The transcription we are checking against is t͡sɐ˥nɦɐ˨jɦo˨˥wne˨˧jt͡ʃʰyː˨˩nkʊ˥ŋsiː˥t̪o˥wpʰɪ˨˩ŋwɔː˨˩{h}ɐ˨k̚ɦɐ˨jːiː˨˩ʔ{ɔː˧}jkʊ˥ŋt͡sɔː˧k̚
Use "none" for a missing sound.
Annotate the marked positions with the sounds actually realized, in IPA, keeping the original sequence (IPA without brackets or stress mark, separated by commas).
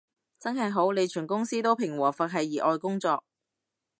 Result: f, ɔː˧